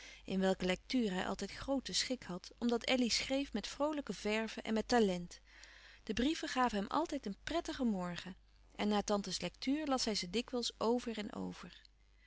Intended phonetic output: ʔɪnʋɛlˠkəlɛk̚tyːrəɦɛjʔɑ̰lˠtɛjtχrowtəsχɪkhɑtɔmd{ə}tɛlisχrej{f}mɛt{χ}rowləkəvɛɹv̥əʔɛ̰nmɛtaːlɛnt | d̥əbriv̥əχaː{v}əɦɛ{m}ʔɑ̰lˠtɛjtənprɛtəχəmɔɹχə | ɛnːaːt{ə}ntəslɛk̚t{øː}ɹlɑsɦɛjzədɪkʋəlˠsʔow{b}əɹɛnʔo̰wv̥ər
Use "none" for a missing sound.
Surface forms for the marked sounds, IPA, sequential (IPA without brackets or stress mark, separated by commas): ɑ, f, f, v, m, ɑ, yː, v